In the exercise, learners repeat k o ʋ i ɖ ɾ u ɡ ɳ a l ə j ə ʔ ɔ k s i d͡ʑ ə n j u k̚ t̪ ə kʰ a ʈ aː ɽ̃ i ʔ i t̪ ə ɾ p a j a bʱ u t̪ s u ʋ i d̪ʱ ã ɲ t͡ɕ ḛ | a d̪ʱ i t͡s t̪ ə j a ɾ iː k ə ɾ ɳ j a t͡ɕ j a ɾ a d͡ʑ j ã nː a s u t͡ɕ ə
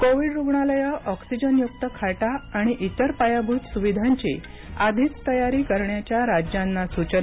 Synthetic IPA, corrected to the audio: k o ʋ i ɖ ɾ u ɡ ɳ a l ə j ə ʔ ɔ k s i d͡ʑ ə n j u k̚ t̪ ə kʰ a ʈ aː ɽ̃ i ʔ i t̪ ə ɾ p a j a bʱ u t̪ s u ʋ i d̪ʱ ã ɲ t͡ɕ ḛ | a d̪ʱ i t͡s t̪ ə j a ɾ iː k ə ɾ ɳ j a t͡ɕ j a ɾ a d͡ʑ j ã nː a s u t͡ɕ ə